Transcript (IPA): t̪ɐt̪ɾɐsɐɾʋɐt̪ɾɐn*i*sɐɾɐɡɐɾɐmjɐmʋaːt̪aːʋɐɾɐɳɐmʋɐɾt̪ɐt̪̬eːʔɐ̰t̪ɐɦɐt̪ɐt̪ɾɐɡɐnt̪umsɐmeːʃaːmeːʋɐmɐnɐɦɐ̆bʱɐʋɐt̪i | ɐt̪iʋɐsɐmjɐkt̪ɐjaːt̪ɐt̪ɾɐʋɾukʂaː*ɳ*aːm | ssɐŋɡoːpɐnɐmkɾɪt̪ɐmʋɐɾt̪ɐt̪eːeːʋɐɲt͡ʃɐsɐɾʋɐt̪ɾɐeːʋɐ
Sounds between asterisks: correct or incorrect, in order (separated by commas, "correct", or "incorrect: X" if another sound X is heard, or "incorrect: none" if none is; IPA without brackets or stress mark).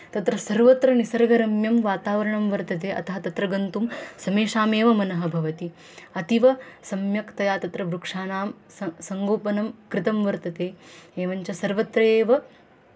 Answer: correct, incorrect: n